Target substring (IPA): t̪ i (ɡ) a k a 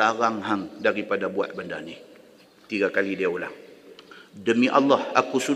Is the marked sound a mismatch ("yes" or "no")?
no